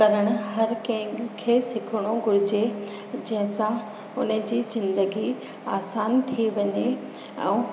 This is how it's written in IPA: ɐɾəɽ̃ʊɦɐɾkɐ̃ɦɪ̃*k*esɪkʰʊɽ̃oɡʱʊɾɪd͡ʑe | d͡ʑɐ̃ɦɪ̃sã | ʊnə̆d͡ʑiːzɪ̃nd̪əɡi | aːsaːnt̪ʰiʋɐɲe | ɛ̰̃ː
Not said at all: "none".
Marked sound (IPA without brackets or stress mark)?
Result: kʰ